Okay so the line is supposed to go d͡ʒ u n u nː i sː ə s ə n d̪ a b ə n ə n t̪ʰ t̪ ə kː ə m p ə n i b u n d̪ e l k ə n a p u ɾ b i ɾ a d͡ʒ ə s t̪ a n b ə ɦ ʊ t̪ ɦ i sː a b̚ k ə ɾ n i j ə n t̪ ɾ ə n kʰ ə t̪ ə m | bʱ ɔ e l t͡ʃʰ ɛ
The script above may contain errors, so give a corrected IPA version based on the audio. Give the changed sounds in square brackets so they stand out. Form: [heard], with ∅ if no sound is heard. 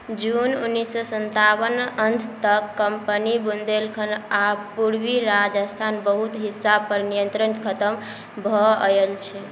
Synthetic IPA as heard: d͡ʒ u n u nː i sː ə s ə n [t̪] a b ə n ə n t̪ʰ t̪ ə kː ə m p ə n i b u n d̪ e l [kʰ] ə n a p u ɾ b i ɾ a d͡ʒ ə s [t̪ʰ] a n b ə ɦ [u] t̪ ɦ i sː a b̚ [p] ə ɾ n i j ə n t̪ ɾ ə n kʰ ə t̪ ə m | bʱ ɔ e l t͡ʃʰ ɛ